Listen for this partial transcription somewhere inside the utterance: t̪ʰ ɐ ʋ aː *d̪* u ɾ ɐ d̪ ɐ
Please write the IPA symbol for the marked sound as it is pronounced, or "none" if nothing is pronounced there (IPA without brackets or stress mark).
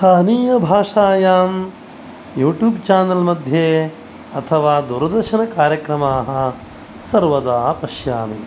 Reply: d̪